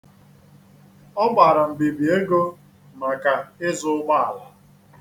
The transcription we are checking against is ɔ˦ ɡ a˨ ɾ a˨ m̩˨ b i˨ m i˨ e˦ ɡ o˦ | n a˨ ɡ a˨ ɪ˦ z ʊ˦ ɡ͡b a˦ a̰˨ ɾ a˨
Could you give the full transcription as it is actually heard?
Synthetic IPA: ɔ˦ ɡ͡b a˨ ɾ a˨ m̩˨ b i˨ b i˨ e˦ ɡ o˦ | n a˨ k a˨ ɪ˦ z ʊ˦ ɡ͡b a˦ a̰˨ l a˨